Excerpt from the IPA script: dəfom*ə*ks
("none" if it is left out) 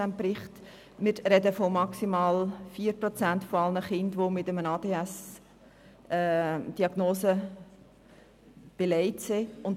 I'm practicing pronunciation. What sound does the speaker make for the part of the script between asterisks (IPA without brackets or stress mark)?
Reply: ɑ